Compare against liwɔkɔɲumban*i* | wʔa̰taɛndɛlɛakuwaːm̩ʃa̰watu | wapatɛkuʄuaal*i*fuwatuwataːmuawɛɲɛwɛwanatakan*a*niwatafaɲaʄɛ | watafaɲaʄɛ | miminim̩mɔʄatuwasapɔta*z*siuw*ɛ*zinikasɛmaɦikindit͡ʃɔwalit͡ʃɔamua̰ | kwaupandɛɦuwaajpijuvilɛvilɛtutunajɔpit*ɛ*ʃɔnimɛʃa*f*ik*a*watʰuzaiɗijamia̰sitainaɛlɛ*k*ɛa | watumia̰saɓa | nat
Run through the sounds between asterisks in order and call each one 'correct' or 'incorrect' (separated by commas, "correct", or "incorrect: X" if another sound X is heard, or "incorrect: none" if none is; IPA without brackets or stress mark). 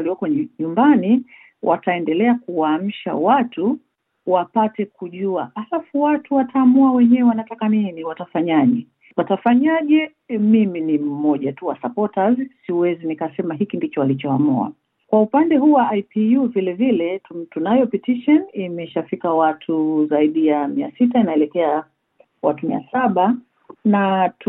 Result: correct, incorrect: a, incorrect: i, correct, correct, incorrect: i, correct, correct, correct